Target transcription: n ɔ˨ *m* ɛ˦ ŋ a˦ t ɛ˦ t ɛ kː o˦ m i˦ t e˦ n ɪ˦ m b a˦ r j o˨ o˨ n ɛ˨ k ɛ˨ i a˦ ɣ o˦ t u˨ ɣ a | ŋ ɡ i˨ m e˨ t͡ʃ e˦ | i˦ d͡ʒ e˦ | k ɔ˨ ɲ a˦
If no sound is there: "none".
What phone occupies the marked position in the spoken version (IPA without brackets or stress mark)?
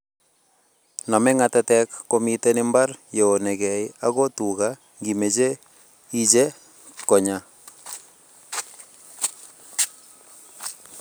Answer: m